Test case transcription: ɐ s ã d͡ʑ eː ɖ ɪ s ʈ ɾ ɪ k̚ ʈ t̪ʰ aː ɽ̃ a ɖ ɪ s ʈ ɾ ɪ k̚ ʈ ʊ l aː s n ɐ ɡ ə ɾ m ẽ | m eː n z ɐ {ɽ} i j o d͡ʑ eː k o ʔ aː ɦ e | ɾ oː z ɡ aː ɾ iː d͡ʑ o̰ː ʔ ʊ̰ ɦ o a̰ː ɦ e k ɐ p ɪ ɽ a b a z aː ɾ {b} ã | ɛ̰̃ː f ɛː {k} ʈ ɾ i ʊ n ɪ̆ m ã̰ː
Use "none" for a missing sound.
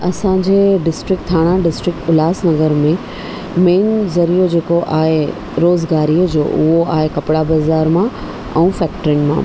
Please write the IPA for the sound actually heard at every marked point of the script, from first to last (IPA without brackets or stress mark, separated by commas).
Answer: ɾ, m, k